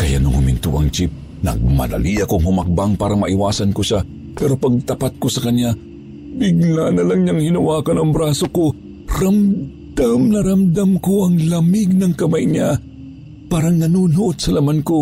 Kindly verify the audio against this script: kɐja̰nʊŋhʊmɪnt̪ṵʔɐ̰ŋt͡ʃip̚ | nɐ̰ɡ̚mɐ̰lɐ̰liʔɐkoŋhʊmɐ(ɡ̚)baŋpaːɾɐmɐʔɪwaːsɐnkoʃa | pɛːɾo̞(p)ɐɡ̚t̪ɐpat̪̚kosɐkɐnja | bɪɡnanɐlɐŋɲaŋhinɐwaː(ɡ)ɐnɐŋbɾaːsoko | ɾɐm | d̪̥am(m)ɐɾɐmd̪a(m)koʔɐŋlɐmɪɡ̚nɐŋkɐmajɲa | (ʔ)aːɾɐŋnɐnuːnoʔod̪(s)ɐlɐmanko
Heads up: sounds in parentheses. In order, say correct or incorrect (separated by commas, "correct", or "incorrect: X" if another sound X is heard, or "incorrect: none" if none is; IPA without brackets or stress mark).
incorrect: k̚, correct, incorrect: k, incorrect: n, correct, incorrect: p, correct